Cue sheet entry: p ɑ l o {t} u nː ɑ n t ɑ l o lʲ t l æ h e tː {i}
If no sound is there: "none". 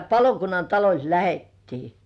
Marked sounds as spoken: k, iː

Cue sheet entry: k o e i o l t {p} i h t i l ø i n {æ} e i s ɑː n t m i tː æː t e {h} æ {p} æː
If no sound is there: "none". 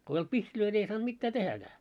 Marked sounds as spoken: p, i, h, k

